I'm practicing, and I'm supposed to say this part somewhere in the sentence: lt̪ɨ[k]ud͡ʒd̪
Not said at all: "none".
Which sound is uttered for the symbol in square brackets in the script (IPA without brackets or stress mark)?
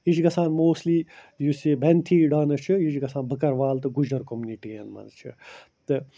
ɡ